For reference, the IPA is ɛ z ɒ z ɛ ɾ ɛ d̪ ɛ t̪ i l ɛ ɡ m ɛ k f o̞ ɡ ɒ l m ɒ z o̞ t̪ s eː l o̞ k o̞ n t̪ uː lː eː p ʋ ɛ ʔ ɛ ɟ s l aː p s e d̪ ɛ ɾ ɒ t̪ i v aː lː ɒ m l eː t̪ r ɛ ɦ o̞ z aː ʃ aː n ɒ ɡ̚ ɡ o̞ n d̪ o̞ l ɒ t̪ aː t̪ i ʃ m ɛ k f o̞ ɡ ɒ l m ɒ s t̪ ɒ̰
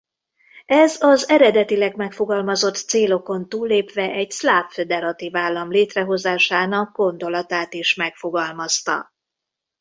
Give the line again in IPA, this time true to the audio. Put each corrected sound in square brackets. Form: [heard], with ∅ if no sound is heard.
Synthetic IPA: ɛ z ɒ z ɛ ɾ ɛ d̪ ɛ t̪ i l ɛ ɡ m ɛ k f o̞ ɡ ɒ l m ɒ z o̞ t̪ s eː l o̞ k o̞ n t̪ uː lː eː p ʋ ɛ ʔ ɛ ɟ s l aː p [f] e d̪ ɛ ɾ ɒ t̪ i v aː lː ɒ m l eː t̪ r ɛ ɦ o̞ z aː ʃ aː n ɒ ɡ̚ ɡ o̞ n d̪ o̞ l ɒ t̪ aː t̪ i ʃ m ɛ k f o̞ ɡ ɒ l m ɒ s t̪ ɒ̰

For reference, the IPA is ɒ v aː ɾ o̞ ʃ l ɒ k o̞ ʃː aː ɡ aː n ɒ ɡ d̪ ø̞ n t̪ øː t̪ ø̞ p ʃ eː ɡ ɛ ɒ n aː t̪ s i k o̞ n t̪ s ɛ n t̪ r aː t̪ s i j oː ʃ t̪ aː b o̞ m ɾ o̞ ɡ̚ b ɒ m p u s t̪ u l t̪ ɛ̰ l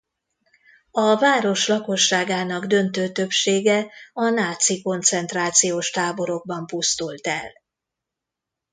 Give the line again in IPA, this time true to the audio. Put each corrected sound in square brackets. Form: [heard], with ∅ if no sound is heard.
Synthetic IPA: ɒ v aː ɾ o̞ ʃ l ɒ k o̞ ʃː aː ɡ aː n ɒ ɡ d̪ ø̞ n t̪ øː t̪ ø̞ p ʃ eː ɡ ɛ ɒ n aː t̪ s i k o̞ n t̪ s ɛ n t̪ r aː t̪ s i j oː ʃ t̪ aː b o̞ [∅] ɾ o̞ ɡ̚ b ɒ m p u s t̪ u l t̪ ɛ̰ l

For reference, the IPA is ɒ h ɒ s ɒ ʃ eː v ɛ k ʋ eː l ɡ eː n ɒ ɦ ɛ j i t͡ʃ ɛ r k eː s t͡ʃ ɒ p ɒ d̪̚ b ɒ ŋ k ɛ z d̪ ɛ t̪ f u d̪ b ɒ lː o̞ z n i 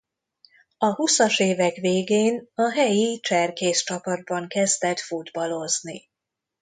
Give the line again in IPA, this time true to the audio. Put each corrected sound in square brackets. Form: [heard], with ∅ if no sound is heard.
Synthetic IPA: ɒ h [u] s ɒ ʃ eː v ɛ k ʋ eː [∅] ɡ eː n ɒ ɦ ɛ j i t͡ʃ ɛ r k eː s t͡ʃ ɒ p ɒ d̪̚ b ɒ ŋ k ɛ z d̪ ɛ t̪ f u d̪ b ɒ [l] o̞ z n i

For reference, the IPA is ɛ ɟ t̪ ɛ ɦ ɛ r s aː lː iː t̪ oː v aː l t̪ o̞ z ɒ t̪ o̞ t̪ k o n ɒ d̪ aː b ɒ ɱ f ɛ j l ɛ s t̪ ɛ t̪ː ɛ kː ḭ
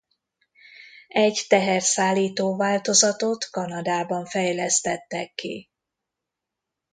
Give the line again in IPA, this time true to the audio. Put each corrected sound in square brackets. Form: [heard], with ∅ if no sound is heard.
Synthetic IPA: ɛ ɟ t̪ ɛ ɦ ɛ r s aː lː iː t̪ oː v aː l t̪ o̞ z ɒ t̪ o̞ t̪ k [ɒ] n ɒ d̪ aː b ɒ ɱ f ɛ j l ɛ s t̪ ɛ t̪ː ɛ kː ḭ

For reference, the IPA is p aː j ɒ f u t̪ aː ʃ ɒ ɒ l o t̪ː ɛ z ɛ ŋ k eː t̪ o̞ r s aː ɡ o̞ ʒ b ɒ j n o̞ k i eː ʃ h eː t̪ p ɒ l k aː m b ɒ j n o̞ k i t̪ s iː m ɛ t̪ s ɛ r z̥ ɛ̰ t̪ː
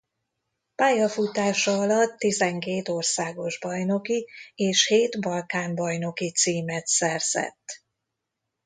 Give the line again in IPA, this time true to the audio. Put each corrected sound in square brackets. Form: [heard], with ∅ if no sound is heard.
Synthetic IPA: p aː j ɒ f u t̪ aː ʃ ɒ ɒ l [ɒ] t̪ː [i] z ɛ ŋ k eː t̪ o̞ r s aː ɡ o̞ ʒ b ɒ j n o̞ k i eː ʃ h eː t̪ [b] ɒ l k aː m b ɒ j n o̞ k i t̪ s iː m ɛ t̪ s ɛ r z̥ ɛ̰ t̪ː

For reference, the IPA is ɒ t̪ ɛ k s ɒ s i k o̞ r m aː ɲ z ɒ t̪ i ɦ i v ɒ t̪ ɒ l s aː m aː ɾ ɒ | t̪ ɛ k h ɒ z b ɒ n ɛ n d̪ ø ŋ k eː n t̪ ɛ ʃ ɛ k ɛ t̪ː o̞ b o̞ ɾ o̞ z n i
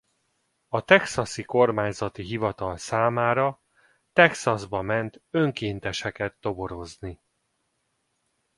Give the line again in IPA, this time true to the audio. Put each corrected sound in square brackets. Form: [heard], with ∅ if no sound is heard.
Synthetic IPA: ɒ t̪ ɛ k s ɒ s i k o̞ r m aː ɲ z ɒ t̪ i ɦ i v ɒ t̪ ɒ l s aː m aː ɾ ɒ | t̪ ɛ k [s] ɒ z b ɒ [m] ɛ n [t̪] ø ŋ k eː n t̪ ɛ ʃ ɛ k ɛ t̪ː o̞ b o̞ ɾ o̞ z n i

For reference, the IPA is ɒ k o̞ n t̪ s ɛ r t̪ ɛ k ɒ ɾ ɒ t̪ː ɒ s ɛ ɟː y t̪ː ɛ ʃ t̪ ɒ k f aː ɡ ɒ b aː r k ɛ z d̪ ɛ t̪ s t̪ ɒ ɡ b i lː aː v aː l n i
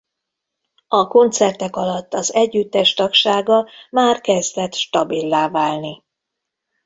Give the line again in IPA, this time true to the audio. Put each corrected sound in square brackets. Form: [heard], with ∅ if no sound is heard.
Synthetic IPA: ɒ k o̞ n t̪ s ɛ r t̪ ɛ k ɒ [l] ɒ t̪ː ɒ [z] ɛ ɟː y t̪ː ɛ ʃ t̪ ɒ k [ʃ] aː ɡ ɒ [m] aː r k ɛ z d̪ ɛ t̪ [ʃ] t̪ ɒ [∅] b i lː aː v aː l n i

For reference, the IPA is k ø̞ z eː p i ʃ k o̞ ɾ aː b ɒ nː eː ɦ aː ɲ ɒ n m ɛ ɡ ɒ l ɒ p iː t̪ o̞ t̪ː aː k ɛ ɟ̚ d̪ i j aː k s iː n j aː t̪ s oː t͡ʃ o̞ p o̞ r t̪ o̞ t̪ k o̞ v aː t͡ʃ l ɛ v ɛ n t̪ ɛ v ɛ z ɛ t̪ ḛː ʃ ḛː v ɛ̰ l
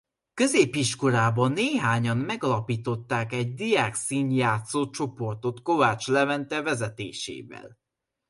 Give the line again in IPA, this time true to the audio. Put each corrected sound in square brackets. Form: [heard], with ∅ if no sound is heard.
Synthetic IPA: k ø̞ z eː p i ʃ k o̞ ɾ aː b ɒ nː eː ɦ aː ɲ ɒ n m ɛ ɡ ɒ l ɒ p iː t̪ o̞ t̪ː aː k ɛ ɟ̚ d̪ i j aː k s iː n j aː t̪ s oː t͡ʃ o̞ p o̞ r t̪ o̞ t̪ k o̞ v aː t͡ʃ l ɛ v ɛ n t̪ ɛ v ɛ z ɛ t̪ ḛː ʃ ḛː v ɛ̰ l

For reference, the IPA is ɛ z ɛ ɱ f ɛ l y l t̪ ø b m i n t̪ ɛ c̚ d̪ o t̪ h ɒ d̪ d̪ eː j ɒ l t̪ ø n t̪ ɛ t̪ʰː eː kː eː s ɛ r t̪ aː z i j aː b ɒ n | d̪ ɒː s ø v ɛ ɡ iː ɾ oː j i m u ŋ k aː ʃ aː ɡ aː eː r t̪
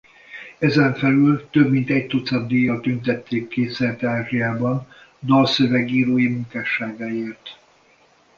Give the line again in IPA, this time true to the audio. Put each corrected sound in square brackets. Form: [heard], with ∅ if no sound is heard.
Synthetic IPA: ɛ z ɛ ɱ f ɛ l y l t̪ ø b m i n t̪ ɛ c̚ [t̪] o t̪ [s] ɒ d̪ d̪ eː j ɒ l t̪ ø n t̪ ɛ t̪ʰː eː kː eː s ɛ r t̪ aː [ʒ] i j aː b ɒ n | d̪ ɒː s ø v ɛ ɡ iː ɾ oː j i m u ŋ k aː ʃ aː ɡ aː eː r t̪

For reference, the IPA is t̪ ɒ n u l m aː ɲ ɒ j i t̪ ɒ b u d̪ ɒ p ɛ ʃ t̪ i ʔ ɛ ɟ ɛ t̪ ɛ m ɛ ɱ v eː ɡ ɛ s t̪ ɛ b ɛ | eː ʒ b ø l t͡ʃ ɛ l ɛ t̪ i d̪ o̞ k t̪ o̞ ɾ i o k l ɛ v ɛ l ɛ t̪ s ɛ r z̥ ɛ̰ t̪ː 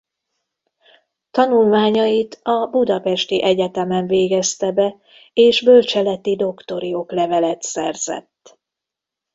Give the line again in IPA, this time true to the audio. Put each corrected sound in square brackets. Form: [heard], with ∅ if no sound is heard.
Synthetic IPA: t̪ ɒ n u l m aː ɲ ɒ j i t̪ ɒ b u d̪ ɒ p ɛ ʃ t̪ i ʔ ɛ ɟ ɛ t̪ ɛ m ɛ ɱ v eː ɡ ɛ s t̪ ɛ b ɛ | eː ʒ b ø l t͡ʃ ɛ l ɛ t̪ i d̪ o̞ k t̪ o̞ ɾ i o k l ɛ v ɛ l ɛ t̪ s ɛ r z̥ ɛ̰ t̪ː

